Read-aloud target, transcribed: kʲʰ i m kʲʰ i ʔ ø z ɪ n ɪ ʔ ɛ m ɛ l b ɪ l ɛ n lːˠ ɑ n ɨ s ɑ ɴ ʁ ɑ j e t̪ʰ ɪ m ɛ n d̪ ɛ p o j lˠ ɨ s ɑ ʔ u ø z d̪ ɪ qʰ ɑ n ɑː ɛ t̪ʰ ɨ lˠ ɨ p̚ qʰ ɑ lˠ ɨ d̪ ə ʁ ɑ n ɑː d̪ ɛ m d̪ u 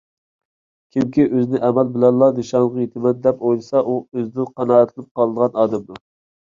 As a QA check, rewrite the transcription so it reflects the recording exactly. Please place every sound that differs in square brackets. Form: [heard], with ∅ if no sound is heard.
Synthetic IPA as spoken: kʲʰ i m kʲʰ i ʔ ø z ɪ n ɪ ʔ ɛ m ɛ l b ɪ l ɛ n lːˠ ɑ n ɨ [ʃ] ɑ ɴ ʁ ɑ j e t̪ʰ ɪ m ɛ n d̪ ɛ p o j lˠ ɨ s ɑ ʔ u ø z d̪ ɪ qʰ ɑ n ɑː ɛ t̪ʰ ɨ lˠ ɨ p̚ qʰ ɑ lˠ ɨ d̪ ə ʁ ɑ n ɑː d̪ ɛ m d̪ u